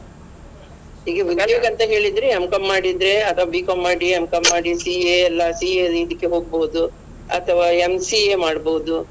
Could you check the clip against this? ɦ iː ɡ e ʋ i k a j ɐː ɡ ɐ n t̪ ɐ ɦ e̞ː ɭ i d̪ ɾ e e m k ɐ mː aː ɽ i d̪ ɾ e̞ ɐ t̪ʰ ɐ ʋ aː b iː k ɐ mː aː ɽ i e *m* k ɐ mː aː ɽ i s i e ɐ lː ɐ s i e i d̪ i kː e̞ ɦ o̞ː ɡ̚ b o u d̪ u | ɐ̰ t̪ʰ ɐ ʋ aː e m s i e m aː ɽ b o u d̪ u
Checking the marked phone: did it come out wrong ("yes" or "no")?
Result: no